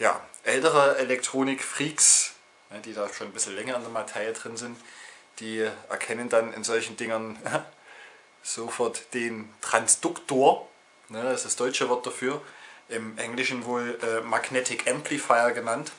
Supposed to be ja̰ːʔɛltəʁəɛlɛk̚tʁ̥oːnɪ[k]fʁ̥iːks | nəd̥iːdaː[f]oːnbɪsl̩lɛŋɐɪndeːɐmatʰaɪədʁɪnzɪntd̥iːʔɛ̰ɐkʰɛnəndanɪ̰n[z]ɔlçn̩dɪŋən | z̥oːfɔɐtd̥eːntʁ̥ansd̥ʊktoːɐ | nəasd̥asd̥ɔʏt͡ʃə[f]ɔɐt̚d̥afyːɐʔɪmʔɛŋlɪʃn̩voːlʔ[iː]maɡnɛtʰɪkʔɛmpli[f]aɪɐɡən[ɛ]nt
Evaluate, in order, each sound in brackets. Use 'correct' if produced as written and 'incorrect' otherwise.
correct, incorrect: ʃ, correct, incorrect: v, incorrect: ɛː, correct, incorrect: a

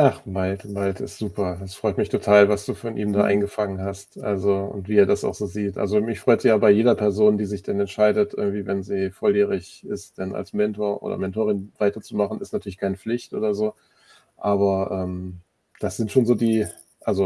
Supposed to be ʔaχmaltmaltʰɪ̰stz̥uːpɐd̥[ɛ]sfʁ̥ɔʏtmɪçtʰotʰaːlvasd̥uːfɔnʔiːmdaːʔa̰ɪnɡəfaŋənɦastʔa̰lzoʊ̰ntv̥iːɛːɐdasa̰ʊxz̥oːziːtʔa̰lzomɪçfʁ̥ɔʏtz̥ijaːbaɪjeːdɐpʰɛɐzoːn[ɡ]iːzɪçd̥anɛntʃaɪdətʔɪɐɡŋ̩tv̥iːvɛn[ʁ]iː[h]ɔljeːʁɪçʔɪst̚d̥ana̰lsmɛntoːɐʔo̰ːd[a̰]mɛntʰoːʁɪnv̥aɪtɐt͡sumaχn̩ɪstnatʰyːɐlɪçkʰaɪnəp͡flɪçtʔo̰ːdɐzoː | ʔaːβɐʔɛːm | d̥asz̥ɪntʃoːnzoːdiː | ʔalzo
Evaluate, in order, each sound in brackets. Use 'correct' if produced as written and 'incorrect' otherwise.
incorrect: a, incorrect: d, incorrect: z, incorrect: f, incorrect: ɐ̰

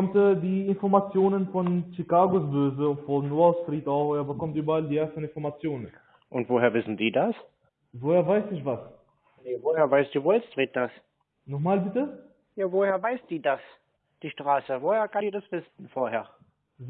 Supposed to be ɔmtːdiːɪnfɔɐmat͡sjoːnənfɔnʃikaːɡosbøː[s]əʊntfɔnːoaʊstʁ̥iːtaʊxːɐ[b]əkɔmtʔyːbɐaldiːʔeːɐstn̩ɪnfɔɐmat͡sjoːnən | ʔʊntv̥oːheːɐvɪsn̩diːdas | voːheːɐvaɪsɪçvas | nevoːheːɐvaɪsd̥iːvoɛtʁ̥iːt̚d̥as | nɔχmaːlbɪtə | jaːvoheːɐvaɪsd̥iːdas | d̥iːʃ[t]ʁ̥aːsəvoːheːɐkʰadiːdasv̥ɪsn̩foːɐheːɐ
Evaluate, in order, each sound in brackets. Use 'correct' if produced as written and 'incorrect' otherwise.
incorrect: z, correct, correct

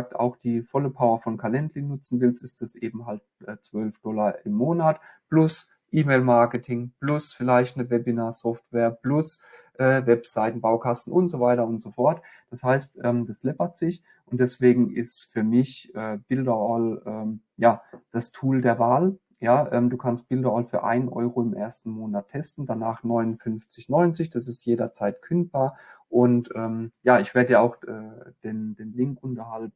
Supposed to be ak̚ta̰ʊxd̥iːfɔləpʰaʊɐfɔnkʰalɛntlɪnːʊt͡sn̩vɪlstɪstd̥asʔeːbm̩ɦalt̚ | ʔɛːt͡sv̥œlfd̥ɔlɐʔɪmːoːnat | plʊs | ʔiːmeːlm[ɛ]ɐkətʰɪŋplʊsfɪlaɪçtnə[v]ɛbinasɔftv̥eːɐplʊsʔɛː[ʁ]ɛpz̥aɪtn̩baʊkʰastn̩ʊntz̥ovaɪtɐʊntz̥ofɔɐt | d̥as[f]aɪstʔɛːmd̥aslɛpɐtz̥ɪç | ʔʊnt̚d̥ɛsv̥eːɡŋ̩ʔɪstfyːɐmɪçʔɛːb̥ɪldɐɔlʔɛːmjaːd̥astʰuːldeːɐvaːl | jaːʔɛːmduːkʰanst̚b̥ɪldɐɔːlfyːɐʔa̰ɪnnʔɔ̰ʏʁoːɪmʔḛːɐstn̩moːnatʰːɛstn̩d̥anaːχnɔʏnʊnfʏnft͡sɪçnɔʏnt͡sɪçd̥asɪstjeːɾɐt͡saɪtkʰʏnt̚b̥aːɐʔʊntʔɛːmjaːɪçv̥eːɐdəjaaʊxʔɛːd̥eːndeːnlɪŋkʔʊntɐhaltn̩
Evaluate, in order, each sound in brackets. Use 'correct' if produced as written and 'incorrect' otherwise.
incorrect: a, correct, incorrect: v, incorrect: h

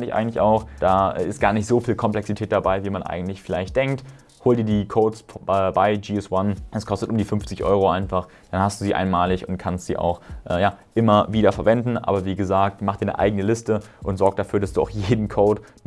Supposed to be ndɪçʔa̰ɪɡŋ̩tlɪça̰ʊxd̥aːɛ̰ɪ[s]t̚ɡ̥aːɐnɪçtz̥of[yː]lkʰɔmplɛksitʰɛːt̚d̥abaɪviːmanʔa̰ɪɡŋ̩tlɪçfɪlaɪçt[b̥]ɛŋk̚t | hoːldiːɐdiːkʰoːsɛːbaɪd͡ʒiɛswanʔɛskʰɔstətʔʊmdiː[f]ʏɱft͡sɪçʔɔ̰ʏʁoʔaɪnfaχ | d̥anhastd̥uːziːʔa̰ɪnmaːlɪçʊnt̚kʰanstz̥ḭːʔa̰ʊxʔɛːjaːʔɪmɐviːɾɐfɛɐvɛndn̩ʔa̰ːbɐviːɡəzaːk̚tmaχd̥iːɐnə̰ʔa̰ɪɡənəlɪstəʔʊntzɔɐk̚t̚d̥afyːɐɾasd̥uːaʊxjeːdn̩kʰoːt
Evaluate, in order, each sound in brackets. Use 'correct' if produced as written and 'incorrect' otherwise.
correct, incorrect: iː, incorrect: d̥, correct

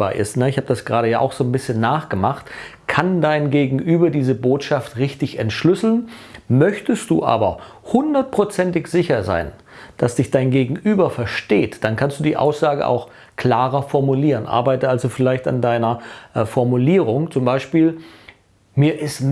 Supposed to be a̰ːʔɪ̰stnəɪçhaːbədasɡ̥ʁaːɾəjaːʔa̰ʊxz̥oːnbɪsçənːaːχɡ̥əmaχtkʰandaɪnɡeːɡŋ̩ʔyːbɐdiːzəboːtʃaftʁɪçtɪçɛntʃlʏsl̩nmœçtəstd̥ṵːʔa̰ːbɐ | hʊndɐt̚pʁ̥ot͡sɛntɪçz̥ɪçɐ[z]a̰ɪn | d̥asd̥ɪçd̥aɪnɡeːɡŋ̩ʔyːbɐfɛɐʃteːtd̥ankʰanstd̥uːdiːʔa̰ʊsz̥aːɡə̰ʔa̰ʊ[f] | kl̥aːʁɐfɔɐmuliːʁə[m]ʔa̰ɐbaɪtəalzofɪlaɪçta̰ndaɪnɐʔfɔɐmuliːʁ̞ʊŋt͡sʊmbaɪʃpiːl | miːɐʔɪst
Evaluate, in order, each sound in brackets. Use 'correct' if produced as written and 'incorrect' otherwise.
correct, incorrect: x, incorrect: n

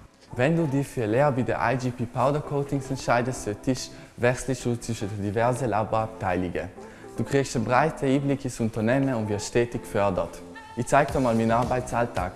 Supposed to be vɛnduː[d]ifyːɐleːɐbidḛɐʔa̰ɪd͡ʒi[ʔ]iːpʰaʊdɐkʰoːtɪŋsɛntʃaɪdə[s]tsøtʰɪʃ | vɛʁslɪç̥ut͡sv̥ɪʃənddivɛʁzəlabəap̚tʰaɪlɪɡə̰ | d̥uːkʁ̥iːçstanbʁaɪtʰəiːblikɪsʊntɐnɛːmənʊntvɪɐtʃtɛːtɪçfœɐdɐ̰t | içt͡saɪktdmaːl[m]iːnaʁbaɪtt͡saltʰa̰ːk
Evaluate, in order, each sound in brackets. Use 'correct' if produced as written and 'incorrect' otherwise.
correct, incorrect: p, correct, correct

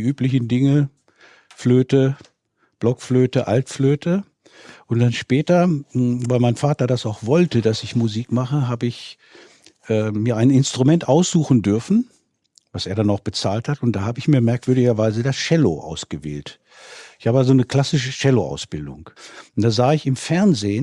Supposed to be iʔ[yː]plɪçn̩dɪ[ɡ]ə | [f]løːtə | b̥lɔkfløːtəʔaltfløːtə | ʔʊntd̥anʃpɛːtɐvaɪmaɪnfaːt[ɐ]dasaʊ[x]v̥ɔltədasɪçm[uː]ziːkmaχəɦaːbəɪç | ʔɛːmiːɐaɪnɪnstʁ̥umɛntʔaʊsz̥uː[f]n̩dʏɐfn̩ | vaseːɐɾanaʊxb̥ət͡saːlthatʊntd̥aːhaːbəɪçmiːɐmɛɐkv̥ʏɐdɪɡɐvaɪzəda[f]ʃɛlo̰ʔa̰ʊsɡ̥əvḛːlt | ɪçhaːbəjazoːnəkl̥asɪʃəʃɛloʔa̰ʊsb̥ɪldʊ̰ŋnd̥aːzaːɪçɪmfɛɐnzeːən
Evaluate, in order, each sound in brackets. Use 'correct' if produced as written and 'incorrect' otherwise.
correct, incorrect: ŋ, correct, correct, correct, incorrect: u, incorrect: x, incorrect: s

